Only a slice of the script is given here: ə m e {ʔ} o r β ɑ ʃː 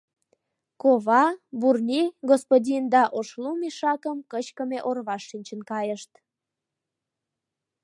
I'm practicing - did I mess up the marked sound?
no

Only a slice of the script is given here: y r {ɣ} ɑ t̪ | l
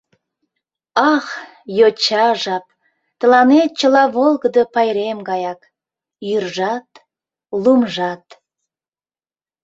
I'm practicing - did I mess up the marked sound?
yes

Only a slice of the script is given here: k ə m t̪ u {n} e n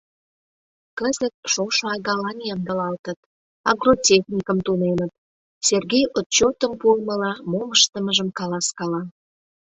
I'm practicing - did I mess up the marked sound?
no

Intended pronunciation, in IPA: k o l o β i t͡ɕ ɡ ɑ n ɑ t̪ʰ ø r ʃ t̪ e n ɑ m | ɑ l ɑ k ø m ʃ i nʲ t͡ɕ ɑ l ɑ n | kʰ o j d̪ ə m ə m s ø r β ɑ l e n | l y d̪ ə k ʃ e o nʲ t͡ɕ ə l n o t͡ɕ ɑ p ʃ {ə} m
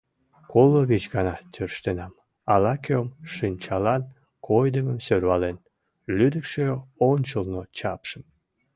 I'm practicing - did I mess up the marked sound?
no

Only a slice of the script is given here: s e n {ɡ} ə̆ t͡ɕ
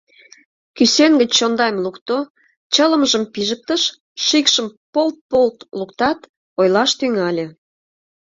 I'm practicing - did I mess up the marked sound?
no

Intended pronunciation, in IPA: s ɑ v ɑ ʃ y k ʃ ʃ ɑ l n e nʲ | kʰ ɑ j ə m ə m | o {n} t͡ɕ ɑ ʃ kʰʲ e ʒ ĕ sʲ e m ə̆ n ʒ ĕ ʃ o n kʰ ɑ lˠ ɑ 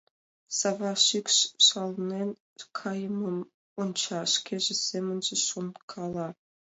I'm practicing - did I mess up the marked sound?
no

